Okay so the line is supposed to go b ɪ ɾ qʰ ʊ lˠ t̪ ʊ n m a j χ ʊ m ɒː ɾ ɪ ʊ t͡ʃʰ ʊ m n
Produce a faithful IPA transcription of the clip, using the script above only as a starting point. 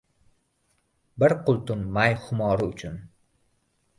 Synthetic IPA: b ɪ ɾ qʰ ʊ lˠ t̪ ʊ n m a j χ ʊ m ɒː ɾ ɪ ʊ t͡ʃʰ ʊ n